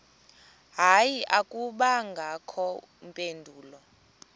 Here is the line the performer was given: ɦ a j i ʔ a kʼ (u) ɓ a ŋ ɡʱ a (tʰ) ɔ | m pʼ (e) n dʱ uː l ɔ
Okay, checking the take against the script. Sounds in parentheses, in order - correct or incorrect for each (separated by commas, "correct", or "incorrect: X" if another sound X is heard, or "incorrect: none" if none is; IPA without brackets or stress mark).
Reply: correct, incorrect: kʰ, correct